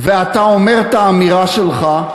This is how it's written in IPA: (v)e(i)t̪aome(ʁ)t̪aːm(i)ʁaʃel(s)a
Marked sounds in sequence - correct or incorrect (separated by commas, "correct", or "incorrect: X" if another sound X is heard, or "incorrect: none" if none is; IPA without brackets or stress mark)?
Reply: correct, incorrect: a, correct, correct, incorrect: χ